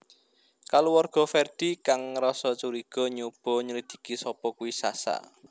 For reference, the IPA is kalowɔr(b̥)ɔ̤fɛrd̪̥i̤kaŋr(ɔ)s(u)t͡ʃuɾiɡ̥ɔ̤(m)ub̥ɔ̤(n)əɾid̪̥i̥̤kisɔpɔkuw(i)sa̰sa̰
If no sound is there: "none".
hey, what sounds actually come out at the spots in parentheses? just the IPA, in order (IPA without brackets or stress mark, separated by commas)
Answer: ɡ̥, ɔ, ɔ, ɲ, ɲ, i